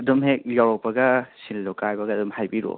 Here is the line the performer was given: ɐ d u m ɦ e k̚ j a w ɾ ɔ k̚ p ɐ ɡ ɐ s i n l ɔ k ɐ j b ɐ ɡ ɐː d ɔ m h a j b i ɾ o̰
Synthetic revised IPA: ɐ d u m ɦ e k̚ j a w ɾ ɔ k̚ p ɐ ɡ ɐ s i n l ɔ k a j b ɐ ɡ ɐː d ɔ m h a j b i ɾ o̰